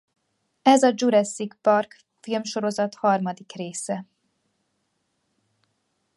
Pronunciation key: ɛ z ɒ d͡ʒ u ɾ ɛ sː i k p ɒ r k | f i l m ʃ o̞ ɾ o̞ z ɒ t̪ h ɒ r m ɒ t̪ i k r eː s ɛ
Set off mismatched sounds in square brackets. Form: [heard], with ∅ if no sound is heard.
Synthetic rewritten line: ɛ z ɒ d͡ʒ u ɾ ɛ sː i k p ɒ r k | f i l m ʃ o̞ ɾ o̞ z ɒ t̪ h ɒ r m ɒ [d̪] i k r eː s ɛ

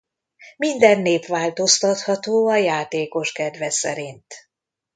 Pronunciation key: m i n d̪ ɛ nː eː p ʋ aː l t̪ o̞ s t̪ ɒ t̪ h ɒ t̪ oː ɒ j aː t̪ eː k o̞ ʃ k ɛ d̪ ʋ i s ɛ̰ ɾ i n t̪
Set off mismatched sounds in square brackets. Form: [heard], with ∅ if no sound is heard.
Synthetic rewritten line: m i n d̪ ɛ nː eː p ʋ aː l t̪ o̞ s t̪ ɒ t̪ h ɒ t̪ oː ɒ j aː t̪ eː k o̞ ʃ k ɛ d̪ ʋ [ɛ] s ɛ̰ ɾ i n t̪

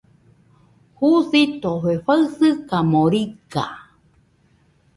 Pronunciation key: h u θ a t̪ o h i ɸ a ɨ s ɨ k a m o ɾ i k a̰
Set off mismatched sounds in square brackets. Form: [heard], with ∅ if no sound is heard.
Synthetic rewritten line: h u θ [i] t̪ o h [e] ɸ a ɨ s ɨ k a m o ɾ i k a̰

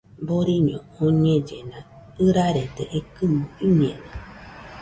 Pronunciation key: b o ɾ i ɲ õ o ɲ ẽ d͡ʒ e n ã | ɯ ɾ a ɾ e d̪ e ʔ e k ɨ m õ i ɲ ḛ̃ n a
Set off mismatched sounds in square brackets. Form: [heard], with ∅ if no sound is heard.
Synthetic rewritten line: b o ɾ i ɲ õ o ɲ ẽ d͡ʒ e n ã | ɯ ɾ a ɾ e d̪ e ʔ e k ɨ m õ i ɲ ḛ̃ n a

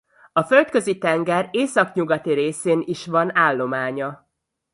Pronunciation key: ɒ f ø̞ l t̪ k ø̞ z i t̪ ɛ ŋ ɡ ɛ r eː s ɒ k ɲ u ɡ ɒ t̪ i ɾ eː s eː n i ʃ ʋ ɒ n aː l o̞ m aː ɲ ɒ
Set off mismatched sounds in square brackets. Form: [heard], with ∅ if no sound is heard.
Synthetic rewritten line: ɒ f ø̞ l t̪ k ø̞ z i t̪ ɛ ŋ ɡ ɛ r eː s ɒ k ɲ u ɡ ɒ t̪ i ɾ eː s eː n i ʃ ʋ ɒ n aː [lː] o̞ m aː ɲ ɒ

